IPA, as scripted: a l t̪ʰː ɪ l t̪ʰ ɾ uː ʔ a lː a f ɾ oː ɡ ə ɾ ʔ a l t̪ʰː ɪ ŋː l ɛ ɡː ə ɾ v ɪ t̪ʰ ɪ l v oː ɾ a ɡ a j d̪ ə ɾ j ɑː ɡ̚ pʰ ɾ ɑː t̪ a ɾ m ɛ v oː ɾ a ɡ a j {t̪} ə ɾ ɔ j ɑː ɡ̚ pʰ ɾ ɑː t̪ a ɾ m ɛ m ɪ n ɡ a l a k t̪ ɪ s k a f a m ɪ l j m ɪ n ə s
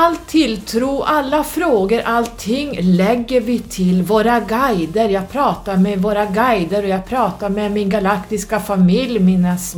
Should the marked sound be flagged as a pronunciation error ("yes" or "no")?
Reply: yes